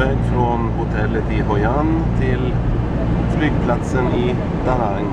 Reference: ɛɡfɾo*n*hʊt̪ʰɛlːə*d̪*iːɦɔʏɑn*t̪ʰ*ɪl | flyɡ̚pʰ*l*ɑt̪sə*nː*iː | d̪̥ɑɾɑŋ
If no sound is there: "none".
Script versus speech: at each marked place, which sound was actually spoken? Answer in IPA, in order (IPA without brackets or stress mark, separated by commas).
n, t̪, t̪ʰ, l, n